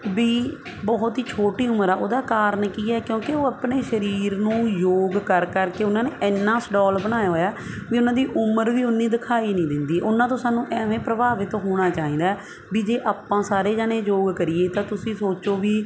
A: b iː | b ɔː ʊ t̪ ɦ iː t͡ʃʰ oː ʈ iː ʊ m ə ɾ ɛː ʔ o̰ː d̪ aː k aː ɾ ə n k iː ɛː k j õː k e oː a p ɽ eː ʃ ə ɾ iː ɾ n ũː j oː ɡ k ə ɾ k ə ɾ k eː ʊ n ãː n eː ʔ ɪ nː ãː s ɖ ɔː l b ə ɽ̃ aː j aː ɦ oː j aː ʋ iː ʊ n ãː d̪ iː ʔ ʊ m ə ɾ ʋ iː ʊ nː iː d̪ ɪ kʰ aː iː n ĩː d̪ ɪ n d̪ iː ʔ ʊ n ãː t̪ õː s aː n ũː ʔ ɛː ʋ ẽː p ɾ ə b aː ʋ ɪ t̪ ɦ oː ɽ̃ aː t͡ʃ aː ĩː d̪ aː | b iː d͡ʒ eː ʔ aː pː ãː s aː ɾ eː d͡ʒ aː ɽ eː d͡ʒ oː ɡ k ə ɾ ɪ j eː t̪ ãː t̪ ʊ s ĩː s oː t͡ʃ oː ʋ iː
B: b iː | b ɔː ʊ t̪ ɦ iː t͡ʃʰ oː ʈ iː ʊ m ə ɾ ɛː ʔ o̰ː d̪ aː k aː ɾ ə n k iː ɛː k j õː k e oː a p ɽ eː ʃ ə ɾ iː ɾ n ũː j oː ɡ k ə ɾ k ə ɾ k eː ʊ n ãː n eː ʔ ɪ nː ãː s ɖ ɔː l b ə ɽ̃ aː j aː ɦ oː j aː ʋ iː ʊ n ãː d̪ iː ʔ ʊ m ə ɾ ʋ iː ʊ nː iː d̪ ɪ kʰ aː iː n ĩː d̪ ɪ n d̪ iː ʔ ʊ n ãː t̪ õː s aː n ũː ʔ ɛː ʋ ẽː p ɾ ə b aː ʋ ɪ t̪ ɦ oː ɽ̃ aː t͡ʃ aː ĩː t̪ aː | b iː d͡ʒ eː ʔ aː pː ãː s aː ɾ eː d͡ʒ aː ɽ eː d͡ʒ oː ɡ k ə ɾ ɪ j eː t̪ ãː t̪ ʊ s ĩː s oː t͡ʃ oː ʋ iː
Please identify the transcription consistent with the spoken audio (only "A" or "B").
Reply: A